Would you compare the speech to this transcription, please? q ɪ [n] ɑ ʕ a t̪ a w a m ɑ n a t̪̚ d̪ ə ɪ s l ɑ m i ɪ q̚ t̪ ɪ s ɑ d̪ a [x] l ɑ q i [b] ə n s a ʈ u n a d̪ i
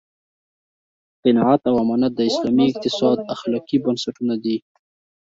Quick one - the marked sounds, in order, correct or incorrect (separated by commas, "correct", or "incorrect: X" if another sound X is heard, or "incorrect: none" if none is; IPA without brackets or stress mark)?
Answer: correct, correct, correct